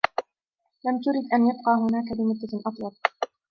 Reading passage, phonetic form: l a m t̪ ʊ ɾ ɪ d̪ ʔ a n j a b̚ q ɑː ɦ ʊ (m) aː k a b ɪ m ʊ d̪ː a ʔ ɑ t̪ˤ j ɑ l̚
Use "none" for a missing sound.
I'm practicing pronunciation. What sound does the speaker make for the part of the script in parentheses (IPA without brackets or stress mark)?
n